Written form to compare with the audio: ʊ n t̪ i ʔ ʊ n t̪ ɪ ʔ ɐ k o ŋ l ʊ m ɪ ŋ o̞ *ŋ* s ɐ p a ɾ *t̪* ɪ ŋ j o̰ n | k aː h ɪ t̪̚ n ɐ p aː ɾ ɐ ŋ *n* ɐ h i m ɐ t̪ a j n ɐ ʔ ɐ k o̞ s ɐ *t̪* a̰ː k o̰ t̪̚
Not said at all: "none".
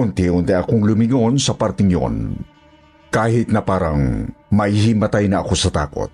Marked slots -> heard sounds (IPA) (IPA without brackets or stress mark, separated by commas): n, t̪, m, t̪